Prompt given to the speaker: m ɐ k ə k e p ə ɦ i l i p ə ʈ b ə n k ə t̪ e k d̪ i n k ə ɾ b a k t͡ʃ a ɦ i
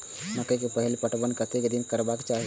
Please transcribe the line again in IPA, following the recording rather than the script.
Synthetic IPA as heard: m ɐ k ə k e p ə ɦ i l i p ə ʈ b ə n k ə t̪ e k d̪ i n k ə ɾ b a k t͡ʃ a ɦ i